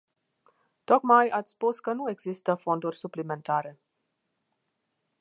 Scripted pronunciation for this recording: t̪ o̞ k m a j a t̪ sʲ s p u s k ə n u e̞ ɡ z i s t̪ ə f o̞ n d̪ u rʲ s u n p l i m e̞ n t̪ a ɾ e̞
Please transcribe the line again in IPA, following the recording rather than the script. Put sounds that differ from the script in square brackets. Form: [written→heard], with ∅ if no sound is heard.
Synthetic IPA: t̪ o̞ k m a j a t̪ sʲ s p u s k ə n u e̞ ɡ z i s t̪ ə f o̞ n d̪ u rʲ s u [n→∅] p l i m e̞ n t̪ a ɾ e̞